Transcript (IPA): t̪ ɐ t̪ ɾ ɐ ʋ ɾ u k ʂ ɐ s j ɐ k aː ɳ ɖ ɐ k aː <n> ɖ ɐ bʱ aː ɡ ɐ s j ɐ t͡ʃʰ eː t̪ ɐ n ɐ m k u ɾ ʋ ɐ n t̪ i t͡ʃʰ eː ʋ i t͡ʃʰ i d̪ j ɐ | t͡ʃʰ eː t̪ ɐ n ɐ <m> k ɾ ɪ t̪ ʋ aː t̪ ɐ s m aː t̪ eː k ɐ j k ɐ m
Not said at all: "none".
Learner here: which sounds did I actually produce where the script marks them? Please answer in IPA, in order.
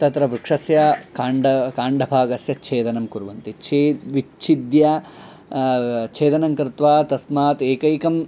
ɳ, ŋ

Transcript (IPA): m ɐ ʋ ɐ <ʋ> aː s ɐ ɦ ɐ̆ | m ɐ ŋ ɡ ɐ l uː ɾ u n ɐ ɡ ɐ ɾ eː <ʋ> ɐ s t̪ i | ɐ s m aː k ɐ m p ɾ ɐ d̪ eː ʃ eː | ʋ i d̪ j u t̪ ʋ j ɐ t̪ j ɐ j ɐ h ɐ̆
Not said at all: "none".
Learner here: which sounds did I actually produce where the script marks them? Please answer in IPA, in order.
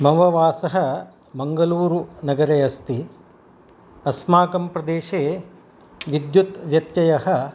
ʋ, none

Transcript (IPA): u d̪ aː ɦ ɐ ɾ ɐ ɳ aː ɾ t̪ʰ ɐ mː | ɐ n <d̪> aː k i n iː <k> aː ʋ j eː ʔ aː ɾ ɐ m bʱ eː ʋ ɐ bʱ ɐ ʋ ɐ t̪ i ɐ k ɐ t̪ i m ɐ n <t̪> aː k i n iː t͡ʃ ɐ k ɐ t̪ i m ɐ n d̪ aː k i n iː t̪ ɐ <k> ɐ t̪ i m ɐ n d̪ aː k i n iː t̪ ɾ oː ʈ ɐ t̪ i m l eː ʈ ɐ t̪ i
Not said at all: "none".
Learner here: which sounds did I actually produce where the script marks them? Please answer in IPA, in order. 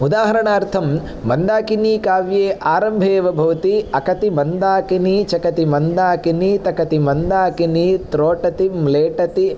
d̪, k, d̪, k

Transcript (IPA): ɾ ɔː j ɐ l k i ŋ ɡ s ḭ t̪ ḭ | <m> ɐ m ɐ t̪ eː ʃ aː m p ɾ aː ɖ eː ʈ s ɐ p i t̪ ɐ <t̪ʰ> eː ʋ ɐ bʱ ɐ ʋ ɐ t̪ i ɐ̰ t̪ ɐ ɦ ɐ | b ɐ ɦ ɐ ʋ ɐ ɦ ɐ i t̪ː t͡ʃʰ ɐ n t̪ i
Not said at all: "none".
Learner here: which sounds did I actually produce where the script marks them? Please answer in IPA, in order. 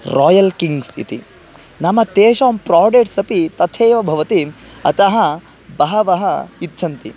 n, t̪ʰ

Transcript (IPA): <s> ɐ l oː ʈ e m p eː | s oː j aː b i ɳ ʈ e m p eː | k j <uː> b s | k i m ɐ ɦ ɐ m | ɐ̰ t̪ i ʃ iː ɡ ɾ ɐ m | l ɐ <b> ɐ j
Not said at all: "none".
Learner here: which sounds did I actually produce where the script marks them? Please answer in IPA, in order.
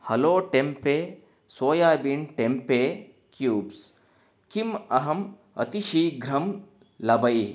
h, uː, b

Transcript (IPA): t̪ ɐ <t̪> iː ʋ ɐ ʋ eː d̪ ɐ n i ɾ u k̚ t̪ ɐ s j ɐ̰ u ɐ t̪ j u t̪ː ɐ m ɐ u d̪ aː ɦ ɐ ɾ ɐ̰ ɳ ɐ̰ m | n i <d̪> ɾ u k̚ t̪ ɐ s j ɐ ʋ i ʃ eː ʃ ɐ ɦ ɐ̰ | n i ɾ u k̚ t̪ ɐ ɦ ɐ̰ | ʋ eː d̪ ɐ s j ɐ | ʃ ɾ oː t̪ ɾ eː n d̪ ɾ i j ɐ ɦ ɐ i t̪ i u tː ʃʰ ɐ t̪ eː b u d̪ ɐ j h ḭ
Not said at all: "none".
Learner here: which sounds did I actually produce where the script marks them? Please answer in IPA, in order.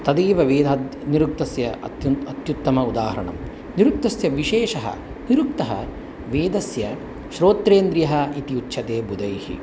d̪, none

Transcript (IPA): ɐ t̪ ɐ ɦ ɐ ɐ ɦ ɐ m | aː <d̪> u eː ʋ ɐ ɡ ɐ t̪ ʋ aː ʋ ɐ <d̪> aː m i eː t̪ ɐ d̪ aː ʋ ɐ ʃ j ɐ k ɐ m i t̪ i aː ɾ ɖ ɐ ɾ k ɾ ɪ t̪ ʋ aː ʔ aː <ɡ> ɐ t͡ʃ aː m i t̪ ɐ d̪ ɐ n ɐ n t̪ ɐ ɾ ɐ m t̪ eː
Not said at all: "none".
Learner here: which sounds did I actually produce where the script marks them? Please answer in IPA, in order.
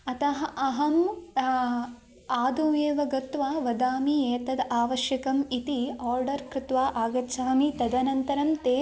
d̪, d̪, ɡ

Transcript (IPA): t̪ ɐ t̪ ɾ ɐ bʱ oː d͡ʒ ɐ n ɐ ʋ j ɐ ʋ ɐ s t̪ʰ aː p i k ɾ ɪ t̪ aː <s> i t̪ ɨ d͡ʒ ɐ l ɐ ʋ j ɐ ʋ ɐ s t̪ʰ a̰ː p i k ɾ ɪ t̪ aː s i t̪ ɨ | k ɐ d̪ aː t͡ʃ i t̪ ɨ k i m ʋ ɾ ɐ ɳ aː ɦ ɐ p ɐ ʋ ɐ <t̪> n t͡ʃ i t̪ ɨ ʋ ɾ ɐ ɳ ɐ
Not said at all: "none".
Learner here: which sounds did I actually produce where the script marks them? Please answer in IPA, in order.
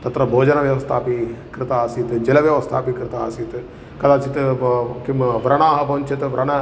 s, none

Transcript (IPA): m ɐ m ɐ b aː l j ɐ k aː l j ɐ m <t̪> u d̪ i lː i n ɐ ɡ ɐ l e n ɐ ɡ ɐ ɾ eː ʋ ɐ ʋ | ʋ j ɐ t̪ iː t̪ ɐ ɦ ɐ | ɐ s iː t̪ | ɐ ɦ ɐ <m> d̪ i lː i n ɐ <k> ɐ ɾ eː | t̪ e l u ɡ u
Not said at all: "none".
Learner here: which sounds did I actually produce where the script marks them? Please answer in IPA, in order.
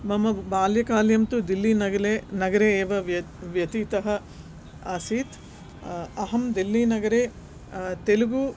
t̪, m, ɡ

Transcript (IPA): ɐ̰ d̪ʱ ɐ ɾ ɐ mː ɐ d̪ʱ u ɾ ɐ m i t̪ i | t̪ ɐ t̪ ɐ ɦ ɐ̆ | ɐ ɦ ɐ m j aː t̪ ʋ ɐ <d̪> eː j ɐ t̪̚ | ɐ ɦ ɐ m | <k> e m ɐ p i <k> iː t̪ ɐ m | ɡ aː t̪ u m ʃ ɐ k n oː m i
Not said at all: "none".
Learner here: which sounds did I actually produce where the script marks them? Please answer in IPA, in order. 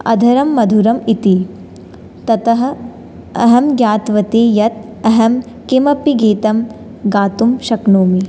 t̪, k, ɡ

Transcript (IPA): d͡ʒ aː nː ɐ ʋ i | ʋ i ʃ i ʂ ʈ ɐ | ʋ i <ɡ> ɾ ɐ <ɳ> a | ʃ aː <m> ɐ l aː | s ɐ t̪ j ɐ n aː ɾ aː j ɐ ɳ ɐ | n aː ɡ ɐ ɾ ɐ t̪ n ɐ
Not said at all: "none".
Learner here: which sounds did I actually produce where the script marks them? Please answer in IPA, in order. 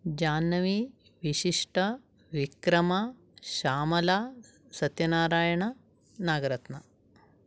k, m, m

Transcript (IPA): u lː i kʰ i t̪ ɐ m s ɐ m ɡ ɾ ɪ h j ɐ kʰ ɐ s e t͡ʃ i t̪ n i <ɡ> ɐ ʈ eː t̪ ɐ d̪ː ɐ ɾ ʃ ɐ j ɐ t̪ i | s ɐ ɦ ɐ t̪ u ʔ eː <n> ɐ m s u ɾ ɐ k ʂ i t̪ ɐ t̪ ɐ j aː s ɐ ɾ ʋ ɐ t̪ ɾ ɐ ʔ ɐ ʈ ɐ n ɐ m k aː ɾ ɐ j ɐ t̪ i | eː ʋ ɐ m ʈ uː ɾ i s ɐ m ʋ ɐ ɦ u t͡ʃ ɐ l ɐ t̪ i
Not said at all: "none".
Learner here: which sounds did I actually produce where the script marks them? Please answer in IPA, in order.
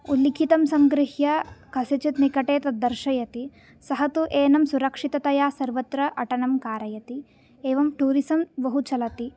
k, n

